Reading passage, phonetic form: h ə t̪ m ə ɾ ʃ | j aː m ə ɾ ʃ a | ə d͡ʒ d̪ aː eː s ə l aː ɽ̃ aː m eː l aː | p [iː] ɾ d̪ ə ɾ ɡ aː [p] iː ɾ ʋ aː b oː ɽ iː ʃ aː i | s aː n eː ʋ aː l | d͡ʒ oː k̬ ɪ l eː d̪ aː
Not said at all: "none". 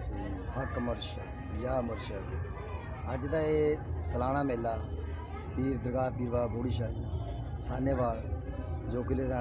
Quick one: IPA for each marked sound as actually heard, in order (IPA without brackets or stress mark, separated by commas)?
iː, p